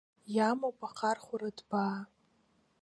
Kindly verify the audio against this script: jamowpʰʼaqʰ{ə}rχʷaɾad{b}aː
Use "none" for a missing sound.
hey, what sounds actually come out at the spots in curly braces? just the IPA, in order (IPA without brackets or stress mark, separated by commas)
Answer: a, b